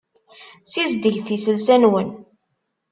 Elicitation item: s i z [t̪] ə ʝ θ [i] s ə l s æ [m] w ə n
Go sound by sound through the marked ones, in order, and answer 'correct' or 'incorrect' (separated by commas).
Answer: incorrect, correct, incorrect